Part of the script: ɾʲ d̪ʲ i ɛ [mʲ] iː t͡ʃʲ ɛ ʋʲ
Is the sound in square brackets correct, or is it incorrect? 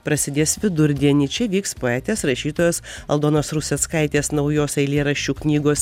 incorrect